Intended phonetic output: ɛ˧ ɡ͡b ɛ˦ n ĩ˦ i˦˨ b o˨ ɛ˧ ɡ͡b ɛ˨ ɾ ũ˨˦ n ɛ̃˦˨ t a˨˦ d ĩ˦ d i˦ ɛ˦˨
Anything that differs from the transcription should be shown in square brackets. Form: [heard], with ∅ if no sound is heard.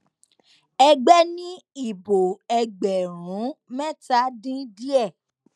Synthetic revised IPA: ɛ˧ ɡ͡b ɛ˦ n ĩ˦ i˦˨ b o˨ ɛ˧ ɡ͡b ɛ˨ ɾ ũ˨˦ [m] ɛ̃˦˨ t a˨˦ d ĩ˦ d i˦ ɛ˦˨